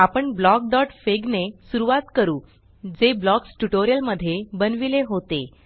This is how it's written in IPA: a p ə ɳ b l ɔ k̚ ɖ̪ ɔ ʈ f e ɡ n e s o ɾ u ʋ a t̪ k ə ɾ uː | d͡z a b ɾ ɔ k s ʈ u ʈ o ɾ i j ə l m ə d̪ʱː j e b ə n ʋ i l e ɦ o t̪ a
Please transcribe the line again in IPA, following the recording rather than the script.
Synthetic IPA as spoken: a p ə ɳ b l ɔ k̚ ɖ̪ ɔ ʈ f e ɡ n e s u ɾ u ʋ a t̪ k ə ɾ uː | d͡z e b l ɔ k s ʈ u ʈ o ɾ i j ə l m ə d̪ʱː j e b ə n ʋ i l e ɦ o t̪ e